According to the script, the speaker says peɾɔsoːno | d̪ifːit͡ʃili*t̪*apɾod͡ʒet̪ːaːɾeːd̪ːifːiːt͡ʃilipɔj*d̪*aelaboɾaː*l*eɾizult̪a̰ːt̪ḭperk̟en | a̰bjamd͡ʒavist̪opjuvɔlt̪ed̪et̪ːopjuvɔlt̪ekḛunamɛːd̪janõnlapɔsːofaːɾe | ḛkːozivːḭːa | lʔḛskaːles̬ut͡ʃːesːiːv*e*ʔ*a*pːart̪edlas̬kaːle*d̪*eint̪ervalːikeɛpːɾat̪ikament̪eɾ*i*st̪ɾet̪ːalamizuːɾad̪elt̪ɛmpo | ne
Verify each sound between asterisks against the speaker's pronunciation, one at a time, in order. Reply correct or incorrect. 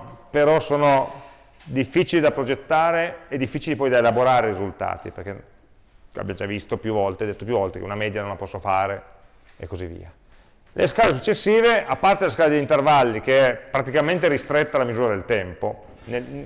incorrect, correct, incorrect, correct, correct, correct, correct

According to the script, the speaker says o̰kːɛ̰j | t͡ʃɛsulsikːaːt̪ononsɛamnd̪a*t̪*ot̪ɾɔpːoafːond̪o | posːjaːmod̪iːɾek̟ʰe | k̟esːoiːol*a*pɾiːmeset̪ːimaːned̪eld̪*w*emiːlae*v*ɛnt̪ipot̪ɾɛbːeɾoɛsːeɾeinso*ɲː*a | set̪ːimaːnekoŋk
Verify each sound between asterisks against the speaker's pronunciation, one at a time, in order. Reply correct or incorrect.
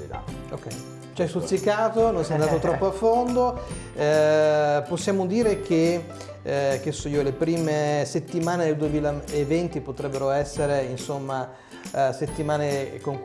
correct, incorrect, incorrect, correct, incorrect

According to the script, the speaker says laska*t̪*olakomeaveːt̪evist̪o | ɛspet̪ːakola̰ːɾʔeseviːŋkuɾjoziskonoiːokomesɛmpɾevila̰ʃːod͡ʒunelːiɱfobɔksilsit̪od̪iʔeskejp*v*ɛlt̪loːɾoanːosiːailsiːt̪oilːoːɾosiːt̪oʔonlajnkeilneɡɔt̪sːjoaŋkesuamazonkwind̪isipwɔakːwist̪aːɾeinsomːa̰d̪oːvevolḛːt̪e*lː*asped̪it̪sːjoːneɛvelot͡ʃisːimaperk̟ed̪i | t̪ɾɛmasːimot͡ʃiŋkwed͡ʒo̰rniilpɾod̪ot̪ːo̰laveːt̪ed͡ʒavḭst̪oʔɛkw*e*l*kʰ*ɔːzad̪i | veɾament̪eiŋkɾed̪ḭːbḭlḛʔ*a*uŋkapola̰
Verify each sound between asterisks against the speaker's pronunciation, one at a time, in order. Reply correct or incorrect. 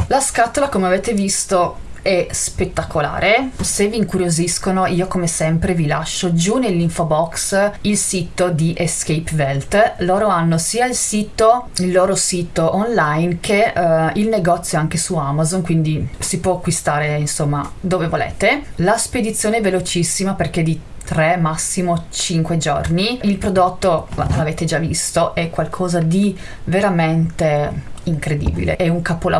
correct, correct, incorrect, incorrect, correct, incorrect

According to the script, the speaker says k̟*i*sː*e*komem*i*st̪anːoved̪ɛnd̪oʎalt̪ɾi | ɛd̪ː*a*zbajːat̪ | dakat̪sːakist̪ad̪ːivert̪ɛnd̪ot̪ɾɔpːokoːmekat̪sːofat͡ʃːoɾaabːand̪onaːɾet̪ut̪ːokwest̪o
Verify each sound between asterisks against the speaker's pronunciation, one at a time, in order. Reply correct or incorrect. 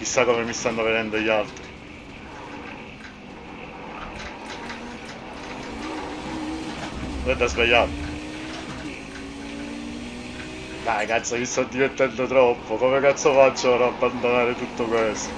correct, incorrect, correct, correct

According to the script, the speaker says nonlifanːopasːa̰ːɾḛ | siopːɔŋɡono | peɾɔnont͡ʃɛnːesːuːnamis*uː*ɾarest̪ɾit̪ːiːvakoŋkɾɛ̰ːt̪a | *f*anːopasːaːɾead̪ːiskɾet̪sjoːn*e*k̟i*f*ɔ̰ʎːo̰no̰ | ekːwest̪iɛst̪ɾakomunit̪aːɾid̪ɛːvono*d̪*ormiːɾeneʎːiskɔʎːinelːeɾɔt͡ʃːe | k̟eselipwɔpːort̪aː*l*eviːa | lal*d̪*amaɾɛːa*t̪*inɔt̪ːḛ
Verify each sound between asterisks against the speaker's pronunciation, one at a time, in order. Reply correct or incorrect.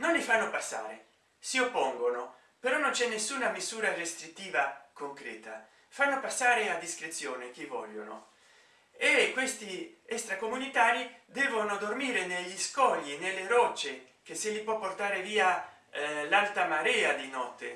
correct, correct, correct, incorrect, correct, incorrect, incorrect, incorrect

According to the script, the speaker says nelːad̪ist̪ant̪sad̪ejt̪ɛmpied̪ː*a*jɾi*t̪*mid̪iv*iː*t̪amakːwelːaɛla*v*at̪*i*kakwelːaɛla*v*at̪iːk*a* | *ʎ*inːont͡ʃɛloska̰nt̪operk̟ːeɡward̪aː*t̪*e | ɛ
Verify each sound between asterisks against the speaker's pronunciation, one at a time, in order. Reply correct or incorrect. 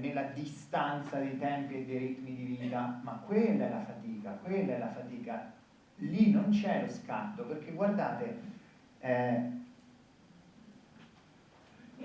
incorrect, correct, correct, incorrect, incorrect, incorrect, correct, incorrect, correct

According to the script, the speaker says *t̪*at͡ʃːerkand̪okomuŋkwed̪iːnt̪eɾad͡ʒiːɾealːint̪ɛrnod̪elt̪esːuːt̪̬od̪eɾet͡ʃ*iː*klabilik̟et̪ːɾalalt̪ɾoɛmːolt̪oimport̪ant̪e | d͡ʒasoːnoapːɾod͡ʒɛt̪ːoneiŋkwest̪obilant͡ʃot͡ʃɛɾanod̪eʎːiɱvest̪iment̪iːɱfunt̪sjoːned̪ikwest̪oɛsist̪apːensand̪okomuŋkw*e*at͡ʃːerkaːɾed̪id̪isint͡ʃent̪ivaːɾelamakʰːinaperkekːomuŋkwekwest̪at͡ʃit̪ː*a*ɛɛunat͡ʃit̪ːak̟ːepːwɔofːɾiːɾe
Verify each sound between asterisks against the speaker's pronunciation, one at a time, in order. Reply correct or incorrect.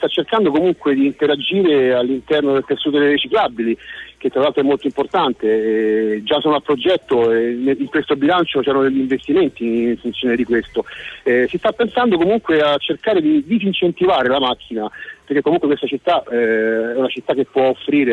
correct, incorrect, correct, correct

